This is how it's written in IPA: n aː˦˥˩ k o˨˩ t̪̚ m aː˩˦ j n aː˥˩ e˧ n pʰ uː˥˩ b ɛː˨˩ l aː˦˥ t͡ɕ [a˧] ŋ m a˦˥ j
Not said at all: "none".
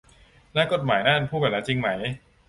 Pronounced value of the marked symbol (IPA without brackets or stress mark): i˧